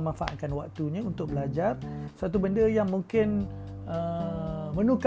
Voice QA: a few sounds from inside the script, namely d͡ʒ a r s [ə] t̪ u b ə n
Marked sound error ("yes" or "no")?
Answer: yes